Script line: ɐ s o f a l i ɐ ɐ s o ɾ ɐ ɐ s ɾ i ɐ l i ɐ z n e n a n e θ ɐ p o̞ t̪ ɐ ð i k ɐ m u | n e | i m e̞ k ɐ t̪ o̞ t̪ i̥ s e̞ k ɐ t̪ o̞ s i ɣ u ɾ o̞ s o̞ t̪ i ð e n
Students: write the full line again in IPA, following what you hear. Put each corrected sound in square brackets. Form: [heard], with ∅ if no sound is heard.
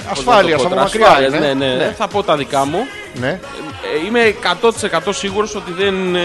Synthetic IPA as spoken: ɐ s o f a l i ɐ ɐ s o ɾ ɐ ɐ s ɾ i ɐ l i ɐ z n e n [e] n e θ ɐ p o̞ t̪ ɐ ð i k ɐ m u | n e | i m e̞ k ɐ t̪ o̞ t̪ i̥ s e̞ k ɐ t̪ o̞ s i ɣ u ɾ o̞ s o̞ t̪ i ð e n